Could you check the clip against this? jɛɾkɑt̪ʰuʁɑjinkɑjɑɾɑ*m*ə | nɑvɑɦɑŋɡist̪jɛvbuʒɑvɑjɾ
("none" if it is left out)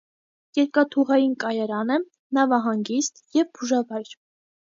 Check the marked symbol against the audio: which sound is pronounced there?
n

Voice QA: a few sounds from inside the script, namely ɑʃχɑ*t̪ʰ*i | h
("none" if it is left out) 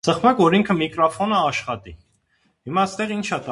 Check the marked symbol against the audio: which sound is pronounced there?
t̪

